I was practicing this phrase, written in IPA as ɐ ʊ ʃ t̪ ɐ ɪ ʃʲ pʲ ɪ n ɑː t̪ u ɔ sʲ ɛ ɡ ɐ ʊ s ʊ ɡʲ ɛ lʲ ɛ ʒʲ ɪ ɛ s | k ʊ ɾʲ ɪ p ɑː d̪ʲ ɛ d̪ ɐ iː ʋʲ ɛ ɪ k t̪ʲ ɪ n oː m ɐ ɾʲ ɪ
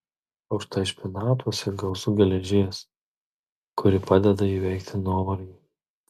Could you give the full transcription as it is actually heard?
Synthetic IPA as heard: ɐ ʊ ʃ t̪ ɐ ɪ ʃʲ pʲ ɪ n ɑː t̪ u ɔ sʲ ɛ ɡ ɐ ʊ s ʊ ɡʲ ɛ lʲ ɛ ʒʲ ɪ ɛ s | k ʊ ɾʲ ɪ p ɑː d̪ʲ ɛ d̪ ɐ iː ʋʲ ɛ ɪ k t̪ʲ ɪ n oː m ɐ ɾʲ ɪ